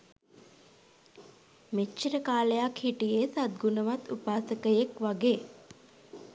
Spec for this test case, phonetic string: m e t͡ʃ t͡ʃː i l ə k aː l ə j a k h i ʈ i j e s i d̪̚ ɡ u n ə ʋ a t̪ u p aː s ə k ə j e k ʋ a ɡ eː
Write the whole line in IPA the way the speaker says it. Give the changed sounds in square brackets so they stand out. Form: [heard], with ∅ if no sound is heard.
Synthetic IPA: m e t͡ʃ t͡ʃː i [ɾ] ə k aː l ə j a k h i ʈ i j e s [a] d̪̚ ɡ u n ə ʋ a t̪ u p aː s ə k ə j e k ʋ a ɡ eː

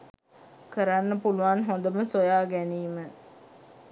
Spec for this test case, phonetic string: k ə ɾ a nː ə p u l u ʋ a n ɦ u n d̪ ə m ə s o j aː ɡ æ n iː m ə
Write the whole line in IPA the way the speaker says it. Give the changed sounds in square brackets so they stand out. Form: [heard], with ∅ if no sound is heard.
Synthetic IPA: k ə ɾ a nː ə p u l u ʋ a n ɦ [o] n d̪ ə m ə s o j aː ɡ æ n iː m ə

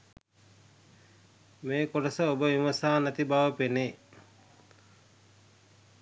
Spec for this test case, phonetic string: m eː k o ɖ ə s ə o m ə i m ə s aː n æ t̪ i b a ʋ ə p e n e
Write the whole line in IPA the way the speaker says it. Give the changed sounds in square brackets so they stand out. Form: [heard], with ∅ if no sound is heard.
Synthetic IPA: m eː k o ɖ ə s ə o [b] ə i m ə s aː n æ t̪ i b a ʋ ə p e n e

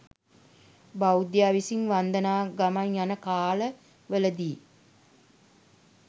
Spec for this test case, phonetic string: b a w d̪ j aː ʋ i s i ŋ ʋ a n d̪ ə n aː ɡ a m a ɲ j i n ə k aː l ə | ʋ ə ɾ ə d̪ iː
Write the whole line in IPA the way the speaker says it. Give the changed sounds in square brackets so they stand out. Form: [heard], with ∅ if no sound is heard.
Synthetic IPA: b a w d̪ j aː ʋ i s i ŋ ʋ a n d̪ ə n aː ɡ a m a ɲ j [a] n ə k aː l ə | ʋ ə [l] ə d̪ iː

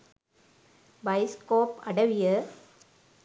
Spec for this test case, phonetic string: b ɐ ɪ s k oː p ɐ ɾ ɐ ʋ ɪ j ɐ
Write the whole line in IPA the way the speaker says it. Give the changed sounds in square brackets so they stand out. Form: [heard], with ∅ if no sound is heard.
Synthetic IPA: b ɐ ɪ s k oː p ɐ [ɽ] ɐ ʋ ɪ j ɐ

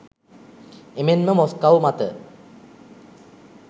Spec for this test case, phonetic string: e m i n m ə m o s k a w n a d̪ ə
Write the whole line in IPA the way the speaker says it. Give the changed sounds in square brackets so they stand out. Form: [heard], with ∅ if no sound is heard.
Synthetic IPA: e m [e] n m ə m o s k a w [m] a [t̪] ə

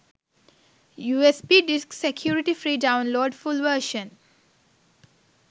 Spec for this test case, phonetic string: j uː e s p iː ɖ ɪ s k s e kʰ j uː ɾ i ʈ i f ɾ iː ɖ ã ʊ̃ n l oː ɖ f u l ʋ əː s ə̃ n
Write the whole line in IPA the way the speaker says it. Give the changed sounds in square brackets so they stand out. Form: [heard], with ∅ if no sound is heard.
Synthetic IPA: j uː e s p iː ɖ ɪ s k s e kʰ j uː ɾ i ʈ i f ɾ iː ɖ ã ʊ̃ n l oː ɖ f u l ʋ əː [ʃ] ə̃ n

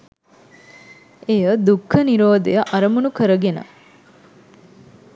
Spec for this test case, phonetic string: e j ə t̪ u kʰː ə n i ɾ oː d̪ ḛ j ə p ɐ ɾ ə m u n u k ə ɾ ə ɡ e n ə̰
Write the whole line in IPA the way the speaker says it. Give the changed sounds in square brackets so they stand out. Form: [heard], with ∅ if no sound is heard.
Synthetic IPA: e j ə [d̪] u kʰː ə n i ɾ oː d̪ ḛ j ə [ʔ] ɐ ɾ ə m u n u k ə ɾ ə ɡ e n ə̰

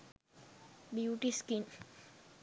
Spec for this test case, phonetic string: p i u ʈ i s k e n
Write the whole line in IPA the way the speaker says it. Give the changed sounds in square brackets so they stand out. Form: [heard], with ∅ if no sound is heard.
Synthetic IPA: [b] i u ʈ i s k [i] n

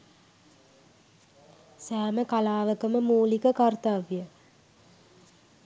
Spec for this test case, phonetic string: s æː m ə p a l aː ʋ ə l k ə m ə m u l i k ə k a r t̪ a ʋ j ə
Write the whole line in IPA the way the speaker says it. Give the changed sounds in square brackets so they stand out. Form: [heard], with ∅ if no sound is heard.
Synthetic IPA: s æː m ə [k] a l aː ʋ ə [∅] k ə m ə m [uː] l i k ə k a r t̪ a ʋ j ə

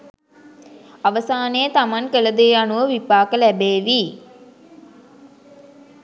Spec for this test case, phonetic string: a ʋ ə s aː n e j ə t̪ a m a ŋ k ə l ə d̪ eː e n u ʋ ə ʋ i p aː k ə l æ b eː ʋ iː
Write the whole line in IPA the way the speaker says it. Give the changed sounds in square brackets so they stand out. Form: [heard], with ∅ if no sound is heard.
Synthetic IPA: a ʋ ə s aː n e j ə t̪ a m a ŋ k ə l ə d̪ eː [a] n u ʋ ə ʋ i p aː k ə l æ b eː ʋ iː

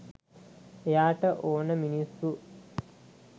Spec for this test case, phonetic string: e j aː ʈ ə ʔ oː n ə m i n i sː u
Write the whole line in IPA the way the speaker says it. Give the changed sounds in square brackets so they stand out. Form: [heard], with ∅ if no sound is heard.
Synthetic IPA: e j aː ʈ ə ʔ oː n ə m i n i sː u

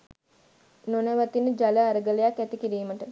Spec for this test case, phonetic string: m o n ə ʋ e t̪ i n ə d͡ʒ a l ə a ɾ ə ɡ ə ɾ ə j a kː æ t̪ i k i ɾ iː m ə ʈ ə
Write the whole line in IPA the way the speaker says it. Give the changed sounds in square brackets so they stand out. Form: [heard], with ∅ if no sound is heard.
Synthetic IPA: [n] o n ə ʋ [a] t̪ i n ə d͡ʒ a l ə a ɾ ə ɡ ə [l] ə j a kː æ t̪ i k i ɾ iː m ə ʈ ə

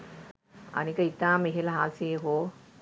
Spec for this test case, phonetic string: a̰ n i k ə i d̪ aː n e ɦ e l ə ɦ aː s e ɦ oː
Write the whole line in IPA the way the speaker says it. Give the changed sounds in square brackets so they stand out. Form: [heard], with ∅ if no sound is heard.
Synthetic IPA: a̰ n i k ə i [t̪] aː [m] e ɦ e l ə ɦ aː s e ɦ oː

